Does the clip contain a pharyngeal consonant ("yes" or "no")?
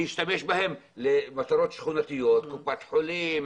yes